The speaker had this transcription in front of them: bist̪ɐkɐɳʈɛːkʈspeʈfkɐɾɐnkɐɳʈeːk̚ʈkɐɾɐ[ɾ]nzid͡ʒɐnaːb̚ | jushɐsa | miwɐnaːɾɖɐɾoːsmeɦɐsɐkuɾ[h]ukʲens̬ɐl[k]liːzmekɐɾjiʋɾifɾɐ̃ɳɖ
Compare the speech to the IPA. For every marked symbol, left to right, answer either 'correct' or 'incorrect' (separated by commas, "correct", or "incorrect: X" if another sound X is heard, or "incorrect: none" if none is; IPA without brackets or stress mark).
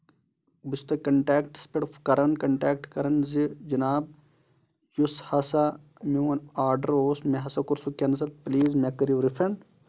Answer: incorrect: none, incorrect: s, incorrect: p